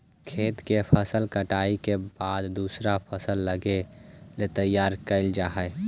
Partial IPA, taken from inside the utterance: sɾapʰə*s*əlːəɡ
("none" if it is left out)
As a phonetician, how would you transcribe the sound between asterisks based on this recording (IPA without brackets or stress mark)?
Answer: s